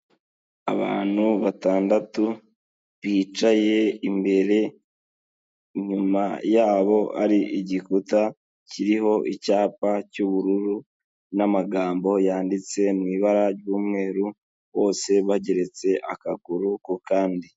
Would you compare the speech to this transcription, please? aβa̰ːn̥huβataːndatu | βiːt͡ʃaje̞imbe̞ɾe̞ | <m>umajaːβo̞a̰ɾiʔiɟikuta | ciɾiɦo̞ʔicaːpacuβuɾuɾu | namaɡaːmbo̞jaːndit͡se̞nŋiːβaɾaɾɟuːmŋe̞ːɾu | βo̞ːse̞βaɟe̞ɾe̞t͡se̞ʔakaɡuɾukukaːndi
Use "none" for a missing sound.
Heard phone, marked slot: ɲ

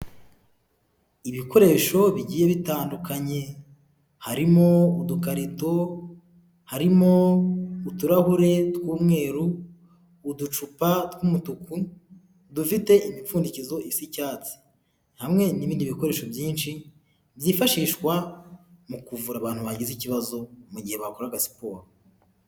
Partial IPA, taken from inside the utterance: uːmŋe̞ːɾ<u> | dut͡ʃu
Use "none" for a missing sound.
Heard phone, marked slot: uː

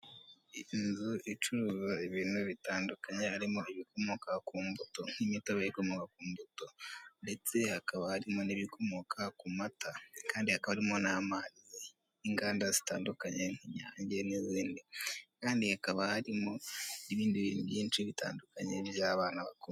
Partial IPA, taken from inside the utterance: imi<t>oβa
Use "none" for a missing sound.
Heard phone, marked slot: t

